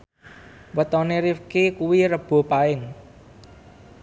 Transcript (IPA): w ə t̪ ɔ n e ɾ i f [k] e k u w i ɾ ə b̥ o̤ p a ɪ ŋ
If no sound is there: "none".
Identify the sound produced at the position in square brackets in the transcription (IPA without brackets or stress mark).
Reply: k